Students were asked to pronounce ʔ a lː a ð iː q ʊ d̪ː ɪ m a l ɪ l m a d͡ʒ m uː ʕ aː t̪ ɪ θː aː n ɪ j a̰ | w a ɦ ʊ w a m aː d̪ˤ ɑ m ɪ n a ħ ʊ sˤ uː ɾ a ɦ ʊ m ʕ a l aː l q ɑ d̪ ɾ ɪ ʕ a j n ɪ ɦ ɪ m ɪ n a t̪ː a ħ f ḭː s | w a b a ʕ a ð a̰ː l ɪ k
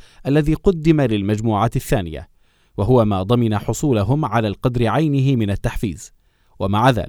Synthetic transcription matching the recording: ʔ a lː a ð iː q ʊ d̪ː ɪ m a l ɪ l m a d͡ʒ m uː ʕ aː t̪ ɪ θː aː n ɪ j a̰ | w a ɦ ʊ w a m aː d̪ˤ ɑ m ɪ n a ħ ʊ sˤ uː l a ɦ ʊ m ʕ a l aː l q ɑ d̪ ɾ ɪ ʕ a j n ɪ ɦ ɪ m ɪ n a t̪ː a ħ f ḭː z | w a m a ʕ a ð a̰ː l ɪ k